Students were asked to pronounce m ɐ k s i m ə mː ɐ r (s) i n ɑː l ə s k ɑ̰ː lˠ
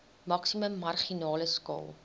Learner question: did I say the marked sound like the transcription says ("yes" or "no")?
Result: no